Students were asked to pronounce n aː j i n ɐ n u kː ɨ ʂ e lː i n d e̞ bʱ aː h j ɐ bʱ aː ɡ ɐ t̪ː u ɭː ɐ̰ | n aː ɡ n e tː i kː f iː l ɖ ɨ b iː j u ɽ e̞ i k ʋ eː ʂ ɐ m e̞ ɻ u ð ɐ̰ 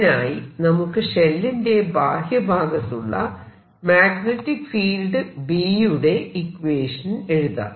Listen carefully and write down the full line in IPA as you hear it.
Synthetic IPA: n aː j i n ɐ m u kː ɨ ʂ e lː i n d e̞ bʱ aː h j ɐ bʱ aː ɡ ɐ t̪ː u ɭː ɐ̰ | m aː ɡ n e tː i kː f iː l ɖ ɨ b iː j u ɽ e̞ i k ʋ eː ʂ ɐ n e̞ ɻ u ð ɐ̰